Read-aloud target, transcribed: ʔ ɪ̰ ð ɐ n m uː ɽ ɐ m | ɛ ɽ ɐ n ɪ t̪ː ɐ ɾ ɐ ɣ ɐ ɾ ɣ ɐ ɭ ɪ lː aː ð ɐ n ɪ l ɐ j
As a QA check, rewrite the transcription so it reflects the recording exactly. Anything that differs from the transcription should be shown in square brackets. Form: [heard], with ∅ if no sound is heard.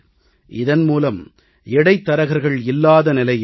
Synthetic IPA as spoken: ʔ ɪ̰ ð ɐ n m uː [l] ɐ m | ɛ ɽ ɐ [∅] ɪ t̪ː ɐ ɾ ɐ ɣ ɐ ɾ ɣ ɐ ɭ ɪ lː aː ð ɐ n ɪ l ɐ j